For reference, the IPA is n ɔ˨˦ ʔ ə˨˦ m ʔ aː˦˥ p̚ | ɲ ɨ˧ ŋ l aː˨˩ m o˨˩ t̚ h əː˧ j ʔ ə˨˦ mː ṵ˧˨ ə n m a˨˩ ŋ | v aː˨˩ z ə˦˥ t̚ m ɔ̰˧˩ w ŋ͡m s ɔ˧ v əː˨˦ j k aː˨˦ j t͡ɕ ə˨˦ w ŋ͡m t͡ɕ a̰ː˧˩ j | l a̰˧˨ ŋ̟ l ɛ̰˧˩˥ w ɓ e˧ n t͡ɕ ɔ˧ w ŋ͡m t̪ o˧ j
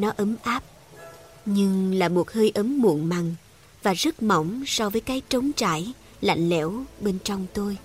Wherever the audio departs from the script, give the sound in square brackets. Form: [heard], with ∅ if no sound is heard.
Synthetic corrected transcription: n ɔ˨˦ ʔ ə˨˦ m ʔ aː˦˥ p̚ | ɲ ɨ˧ ŋ l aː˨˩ m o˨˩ t̚ h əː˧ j ʔ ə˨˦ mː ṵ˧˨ ə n m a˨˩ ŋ | v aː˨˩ z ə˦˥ t̚ m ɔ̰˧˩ w ŋ͡m s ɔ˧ v əː˨˦ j k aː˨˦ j t͡ɕ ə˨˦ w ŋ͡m t͡ɕ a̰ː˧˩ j | l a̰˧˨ ŋ̟ l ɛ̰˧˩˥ w ɓ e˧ n t͡ɕ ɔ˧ w ŋ͡m t̪ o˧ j